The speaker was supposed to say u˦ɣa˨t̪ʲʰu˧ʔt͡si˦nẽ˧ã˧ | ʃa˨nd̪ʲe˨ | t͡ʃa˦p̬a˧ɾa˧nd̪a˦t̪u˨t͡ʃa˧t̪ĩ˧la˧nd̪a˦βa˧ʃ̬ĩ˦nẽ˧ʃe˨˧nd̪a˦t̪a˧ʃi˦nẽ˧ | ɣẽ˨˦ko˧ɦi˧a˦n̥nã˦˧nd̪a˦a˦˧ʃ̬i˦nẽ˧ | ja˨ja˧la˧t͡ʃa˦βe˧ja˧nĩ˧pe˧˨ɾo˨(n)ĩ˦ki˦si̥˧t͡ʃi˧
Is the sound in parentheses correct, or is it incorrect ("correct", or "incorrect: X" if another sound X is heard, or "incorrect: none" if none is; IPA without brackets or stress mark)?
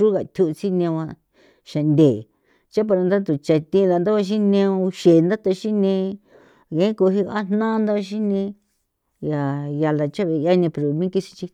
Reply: incorrect: m